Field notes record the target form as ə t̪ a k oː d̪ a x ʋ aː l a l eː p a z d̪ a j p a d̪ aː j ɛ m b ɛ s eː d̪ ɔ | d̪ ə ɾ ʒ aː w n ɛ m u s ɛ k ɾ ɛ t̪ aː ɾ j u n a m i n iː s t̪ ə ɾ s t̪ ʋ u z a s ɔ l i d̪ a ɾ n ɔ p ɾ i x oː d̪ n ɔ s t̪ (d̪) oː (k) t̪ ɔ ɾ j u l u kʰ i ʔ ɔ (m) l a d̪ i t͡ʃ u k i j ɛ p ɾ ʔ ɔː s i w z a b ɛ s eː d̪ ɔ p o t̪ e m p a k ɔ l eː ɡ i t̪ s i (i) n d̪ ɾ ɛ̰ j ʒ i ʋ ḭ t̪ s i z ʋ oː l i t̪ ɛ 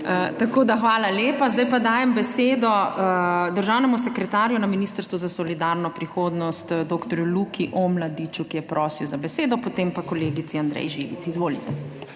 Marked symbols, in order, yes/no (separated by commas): yes, yes, yes, no